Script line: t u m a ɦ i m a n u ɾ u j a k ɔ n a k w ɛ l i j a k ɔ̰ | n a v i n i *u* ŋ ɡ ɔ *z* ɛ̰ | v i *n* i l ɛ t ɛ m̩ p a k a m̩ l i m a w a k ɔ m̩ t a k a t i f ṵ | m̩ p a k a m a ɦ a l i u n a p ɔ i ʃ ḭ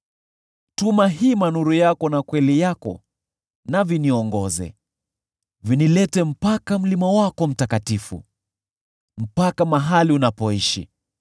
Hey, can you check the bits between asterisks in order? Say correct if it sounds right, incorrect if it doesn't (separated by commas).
incorrect, correct, correct